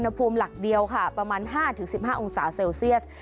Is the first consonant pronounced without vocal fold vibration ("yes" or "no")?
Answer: no